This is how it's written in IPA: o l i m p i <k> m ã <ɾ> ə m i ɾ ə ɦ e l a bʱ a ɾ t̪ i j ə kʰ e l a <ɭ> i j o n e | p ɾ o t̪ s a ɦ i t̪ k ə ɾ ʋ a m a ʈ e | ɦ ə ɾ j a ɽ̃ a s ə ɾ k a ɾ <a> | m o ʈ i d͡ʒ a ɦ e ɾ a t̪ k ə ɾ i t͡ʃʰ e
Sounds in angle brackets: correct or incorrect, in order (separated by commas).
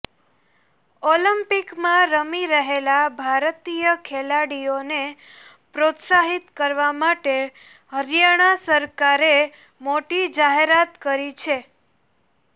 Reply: correct, correct, incorrect, incorrect